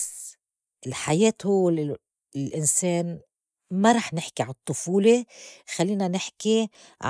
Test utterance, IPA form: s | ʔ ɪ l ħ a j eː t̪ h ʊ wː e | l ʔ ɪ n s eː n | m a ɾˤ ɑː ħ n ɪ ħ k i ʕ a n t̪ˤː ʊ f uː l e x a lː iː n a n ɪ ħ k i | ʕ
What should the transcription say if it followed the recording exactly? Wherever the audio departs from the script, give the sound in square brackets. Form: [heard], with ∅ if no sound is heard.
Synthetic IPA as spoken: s | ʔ ɪ l ħ a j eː t̪ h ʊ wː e | l ʔ ɪ n s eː n | m a ɾˤ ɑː ħ n ɪ ħ k i ʕ a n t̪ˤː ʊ f uː l e x a lː iː n a n ɪ ħ k i | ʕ

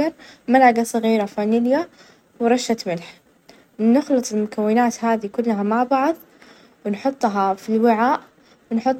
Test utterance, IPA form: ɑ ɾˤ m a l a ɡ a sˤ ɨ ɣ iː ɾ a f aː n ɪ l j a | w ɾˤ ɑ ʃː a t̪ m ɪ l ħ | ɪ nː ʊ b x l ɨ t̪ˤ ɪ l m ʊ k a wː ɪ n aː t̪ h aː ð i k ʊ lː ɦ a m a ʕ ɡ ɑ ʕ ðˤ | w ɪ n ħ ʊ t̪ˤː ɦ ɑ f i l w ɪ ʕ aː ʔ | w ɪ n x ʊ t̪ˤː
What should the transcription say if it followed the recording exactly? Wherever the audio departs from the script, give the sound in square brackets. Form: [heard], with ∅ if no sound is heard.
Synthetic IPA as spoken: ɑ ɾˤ m a l a ɡ a sˤ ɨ ɣ iː ɾ a f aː n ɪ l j a | w ɾˤ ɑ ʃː a t̪ m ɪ l ħ | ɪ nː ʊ [∅] x l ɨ t̪ˤ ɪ l m ʊ k a wː ɪ n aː t̪ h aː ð i k ʊ lː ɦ a m a ʕ [b] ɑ ʕ ðˤ | w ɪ n ħ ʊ t̪ˤː ɦ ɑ f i l w ɪ ʕ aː ʔ | w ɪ n [ħ] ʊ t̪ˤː

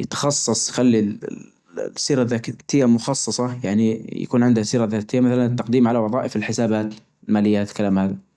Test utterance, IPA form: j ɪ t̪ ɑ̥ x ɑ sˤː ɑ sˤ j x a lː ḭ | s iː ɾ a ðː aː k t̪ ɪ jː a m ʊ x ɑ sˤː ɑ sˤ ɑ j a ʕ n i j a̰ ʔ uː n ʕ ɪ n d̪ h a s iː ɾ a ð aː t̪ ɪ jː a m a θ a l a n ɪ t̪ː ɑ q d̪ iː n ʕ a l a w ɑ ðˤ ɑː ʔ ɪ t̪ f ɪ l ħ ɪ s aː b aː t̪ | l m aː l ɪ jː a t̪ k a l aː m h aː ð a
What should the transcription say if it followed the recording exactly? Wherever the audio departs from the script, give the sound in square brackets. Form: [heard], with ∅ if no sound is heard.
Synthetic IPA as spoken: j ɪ t̪ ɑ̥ x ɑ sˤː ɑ sˤ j x a lː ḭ | s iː ɾ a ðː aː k t̪ ɪ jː a m ʊ x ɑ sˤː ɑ sˤ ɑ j a ʕ n i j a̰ [k] uː n ʕ ɪ n d̪ h a s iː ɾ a ð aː t̪ ɪ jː a m a θ a l a n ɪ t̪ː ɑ q d̪ iː [m] ʕ a l a w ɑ ðˤ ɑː ʔ ɪ [∅] f ɪ l ħ ɪ s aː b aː t̪ | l m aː l ɪ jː a t̪ k a l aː m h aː ð a

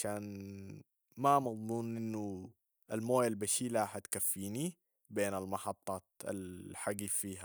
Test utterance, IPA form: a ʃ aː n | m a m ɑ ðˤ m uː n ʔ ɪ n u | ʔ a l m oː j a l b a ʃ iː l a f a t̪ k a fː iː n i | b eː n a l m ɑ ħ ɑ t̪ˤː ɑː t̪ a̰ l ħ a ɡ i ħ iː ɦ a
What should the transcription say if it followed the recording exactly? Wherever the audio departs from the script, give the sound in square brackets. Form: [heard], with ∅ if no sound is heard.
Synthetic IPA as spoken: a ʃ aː n | m a m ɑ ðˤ m uː n ʔ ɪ [nː] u | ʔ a l m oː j a l b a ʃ iː l a [ħ] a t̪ k a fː iː n i | b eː n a l m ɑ ħ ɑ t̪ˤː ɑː t̪ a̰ l ħ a ɡ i [f] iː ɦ a

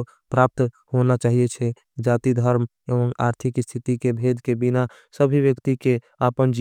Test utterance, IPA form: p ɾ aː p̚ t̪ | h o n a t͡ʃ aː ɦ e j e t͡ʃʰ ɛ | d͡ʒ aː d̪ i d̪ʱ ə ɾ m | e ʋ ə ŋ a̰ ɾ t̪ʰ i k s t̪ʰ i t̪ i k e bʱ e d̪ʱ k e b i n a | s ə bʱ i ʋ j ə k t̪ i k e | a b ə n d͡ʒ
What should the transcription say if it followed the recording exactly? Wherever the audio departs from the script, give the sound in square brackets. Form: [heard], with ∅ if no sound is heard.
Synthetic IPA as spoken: p ɾ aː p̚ t̪ | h o n a t͡ʃ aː ɦ [i] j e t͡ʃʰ ɛ | d͡ʒ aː [t̪] i d̪ʱ ə ɾ m | e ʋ ə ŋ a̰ ɾ t̪ʰ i k s t̪ʰ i t̪ i k e bʱ e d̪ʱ k e b i n a | s ə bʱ i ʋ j ə k t̪ i k e | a [p] ə n d͡ʒ

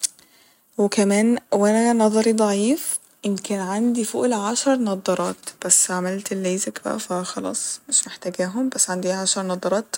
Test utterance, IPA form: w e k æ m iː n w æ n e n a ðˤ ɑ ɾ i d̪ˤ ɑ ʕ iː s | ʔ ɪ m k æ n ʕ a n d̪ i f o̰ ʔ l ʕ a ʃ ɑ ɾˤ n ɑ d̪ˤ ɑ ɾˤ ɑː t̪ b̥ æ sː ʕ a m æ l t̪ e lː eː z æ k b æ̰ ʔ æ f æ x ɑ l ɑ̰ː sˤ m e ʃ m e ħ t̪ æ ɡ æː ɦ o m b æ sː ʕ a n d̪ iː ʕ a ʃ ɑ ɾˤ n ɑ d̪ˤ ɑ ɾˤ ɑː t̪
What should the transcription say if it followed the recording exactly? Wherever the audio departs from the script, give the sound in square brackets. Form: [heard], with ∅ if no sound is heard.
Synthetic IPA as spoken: w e k æ m [æː] n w æ n [æ] n [ɑ] ðˤ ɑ ɾ i d̪ˤ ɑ ʕ iː [f] | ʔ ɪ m k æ n ʕ a n d̪ i f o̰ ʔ l ʕ a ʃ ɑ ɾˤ n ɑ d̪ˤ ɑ ɾˤ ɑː t̪ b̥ æ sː ʕ a m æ l t̪ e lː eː z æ k b æ̰ ʔ æ f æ x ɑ l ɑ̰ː sˤ m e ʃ m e ħ t̪ æ ɡ æː ɦ o m b æ sː ʕ a n d̪ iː ʕ a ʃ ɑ ɾˤ n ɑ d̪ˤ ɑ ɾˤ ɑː t̪

